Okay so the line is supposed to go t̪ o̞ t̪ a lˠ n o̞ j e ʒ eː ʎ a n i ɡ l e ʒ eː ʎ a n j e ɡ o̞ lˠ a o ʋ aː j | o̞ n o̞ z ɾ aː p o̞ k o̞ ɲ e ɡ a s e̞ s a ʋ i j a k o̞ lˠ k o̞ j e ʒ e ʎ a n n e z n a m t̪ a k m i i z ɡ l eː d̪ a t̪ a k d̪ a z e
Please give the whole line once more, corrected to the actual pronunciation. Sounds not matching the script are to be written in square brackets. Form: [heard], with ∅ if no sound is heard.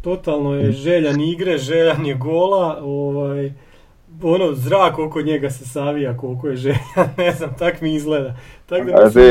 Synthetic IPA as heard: t̪ o̞ t̪ a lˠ n o̞ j e ʒ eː ʎ a n i ɡ [ɾ] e ʒ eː ʎ a n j e ɡ o̞ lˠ a o ʋ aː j | o̞ n o̞ z ɾ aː [k] o̞ k o̞ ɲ e ɡ a s e̞ s a ʋ i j a k o̞ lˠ k o̞ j e ʒ e ʎ a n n e z n a m t̪ a k m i i z ɡ l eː d̪ a t̪ a k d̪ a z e